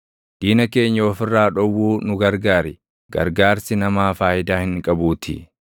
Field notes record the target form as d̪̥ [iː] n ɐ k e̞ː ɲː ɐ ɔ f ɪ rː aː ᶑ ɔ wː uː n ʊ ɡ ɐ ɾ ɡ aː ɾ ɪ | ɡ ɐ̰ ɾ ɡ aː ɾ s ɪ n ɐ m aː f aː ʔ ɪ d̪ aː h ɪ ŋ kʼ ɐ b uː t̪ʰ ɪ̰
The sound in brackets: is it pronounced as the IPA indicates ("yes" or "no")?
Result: yes